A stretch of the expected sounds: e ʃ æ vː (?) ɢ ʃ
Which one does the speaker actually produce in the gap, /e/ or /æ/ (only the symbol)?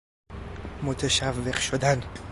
e